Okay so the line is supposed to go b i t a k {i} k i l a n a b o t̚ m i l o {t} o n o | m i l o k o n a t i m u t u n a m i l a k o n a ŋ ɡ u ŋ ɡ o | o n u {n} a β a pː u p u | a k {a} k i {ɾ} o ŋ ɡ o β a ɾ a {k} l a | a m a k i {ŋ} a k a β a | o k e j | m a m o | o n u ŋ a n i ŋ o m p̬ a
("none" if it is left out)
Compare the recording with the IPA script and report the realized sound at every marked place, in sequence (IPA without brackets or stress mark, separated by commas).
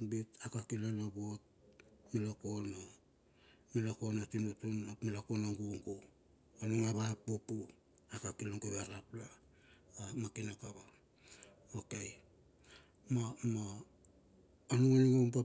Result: a, k, ŋ, a, l, p, n